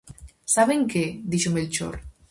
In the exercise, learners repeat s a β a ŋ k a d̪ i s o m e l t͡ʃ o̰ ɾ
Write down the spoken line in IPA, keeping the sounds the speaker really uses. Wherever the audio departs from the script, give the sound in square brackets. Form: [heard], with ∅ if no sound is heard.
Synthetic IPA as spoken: s a β [e] ŋ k [e] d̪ i [ʃ] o m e l t͡ʃ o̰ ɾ